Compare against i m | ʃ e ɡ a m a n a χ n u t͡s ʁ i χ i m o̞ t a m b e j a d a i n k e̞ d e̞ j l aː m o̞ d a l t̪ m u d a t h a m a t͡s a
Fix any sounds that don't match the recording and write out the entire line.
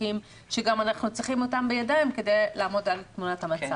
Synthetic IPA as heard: i m | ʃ e ɡ a m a n a χ n u t͡s ʁ i χ i m o̞ t a m b e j a d a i m k e̞ d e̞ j l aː m o̞ d a l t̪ m u n a t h a m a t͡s a